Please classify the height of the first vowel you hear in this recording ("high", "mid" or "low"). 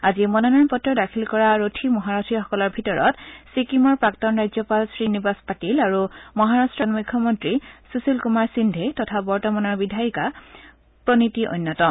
low